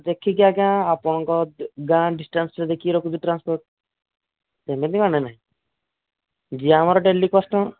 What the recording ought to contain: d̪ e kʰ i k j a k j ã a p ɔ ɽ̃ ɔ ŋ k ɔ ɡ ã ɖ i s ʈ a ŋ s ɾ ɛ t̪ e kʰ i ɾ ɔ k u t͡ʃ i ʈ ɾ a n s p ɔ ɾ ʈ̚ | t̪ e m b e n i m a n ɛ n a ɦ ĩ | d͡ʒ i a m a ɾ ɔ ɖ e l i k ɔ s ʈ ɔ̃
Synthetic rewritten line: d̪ e kʰ i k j a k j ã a p ɔ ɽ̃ ɔ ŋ k ɔ ɡ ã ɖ i s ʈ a n s ɾ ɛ d̪ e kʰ i ɾ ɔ k u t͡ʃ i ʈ ɾ a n s p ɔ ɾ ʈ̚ | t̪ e m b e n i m a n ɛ n a ɦ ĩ | d͡ʒ i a m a ɾ ɔ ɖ e l i k ɔ s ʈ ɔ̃